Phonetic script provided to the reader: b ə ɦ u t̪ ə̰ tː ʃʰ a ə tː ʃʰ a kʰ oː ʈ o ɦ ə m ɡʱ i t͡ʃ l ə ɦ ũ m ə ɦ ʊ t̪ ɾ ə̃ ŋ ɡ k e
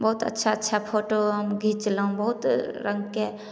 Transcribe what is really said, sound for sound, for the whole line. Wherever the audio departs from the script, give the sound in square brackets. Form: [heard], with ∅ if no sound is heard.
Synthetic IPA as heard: b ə ɦ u t̪ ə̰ tː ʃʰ a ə tː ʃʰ a [pʰ] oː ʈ o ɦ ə m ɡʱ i t͡ʃ l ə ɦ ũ [b] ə ɦ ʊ t̪ ɾ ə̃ ŋ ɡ k e